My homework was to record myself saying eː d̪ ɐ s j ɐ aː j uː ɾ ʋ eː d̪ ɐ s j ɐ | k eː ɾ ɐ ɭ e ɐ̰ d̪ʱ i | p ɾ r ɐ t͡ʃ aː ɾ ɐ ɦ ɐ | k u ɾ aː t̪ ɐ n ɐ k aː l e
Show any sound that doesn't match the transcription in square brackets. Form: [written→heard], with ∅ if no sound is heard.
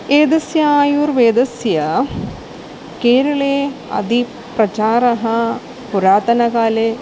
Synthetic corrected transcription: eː d̪ ɐ s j ɐ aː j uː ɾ ʋ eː d̪ ɐ s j ɐ | k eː ɾ ɐ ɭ e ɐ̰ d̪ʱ i | p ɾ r ɐ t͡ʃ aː ɾ ɐ ɦ ɐ | [k→p] u ɾ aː t̪ ɐ n ɐ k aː l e